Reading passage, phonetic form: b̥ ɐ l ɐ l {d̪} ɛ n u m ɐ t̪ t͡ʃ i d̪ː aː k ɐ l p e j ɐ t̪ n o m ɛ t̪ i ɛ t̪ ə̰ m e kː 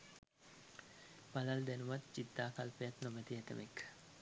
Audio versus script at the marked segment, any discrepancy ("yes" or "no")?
no